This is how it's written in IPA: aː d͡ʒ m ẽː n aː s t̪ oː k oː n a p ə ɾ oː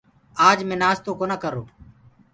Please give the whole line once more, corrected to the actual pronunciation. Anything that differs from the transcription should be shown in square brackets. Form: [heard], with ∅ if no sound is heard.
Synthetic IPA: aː d͡ʒ m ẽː n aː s t̪ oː k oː n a [k] ə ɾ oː